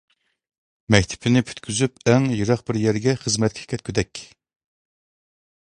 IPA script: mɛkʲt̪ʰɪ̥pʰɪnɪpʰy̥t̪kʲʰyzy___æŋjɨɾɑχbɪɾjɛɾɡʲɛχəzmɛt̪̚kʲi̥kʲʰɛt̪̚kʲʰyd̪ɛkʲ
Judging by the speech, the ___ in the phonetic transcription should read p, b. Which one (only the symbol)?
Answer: p